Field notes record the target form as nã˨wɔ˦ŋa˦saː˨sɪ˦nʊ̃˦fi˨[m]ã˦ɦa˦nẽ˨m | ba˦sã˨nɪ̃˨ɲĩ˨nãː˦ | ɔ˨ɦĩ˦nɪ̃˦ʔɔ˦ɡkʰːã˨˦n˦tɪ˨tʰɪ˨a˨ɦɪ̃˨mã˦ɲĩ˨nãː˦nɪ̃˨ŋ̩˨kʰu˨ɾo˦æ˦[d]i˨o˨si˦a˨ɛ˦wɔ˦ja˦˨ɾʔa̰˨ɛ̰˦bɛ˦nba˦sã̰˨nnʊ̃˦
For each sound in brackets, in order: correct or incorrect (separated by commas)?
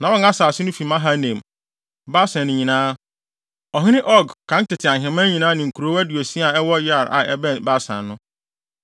correct, correct